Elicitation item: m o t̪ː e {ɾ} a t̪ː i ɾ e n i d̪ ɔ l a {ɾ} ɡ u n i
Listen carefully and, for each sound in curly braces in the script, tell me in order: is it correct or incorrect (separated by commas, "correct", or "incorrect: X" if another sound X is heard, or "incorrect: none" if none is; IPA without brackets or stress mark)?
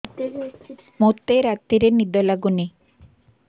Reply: correct, incorrect: none